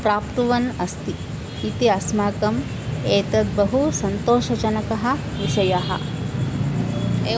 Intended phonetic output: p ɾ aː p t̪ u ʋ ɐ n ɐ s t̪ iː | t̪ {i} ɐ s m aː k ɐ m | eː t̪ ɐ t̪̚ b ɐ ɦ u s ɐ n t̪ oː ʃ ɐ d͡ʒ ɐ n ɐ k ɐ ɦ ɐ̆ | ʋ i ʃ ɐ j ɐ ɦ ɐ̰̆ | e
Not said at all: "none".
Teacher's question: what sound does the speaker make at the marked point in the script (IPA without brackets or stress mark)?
i